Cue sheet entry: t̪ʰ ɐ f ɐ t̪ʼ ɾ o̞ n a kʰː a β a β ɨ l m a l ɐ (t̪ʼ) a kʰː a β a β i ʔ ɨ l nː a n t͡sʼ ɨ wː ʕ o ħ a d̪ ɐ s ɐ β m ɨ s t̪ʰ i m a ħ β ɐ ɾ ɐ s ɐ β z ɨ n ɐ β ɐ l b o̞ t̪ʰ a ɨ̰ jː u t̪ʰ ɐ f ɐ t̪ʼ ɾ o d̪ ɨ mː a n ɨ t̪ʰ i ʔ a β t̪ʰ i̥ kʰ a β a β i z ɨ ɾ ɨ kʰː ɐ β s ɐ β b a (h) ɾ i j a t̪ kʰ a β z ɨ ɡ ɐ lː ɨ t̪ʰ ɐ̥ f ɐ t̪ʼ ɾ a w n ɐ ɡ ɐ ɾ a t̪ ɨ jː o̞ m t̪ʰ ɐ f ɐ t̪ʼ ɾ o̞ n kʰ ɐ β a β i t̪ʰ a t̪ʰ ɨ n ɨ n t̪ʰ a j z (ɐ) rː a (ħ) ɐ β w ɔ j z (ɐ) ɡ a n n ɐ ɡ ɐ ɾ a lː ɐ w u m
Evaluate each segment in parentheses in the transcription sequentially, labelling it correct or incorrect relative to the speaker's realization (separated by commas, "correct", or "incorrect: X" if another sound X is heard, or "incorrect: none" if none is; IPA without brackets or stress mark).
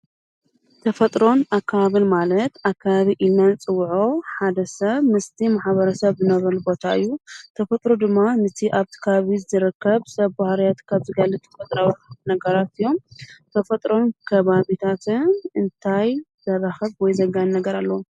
incorrect: t̪, correct, correct, incorrect: x, correct